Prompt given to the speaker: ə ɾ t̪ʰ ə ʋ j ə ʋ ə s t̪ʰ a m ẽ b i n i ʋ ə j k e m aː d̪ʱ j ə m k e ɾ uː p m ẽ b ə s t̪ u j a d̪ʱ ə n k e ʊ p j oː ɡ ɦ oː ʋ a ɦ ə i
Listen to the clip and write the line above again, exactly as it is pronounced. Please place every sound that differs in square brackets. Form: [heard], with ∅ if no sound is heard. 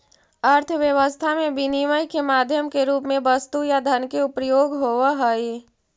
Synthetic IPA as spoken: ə ɾ t̪ʰ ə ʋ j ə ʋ ə s t̪ʰ a m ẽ b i n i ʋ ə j k e m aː d̪ʱ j ə m k e ɾ uː p m ẽ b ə s t̪ u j a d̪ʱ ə n k e ʊ p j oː ɡ ɦ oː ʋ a ɦ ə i